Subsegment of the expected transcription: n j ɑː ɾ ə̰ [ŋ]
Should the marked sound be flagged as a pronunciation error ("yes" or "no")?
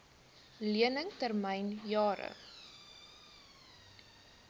yes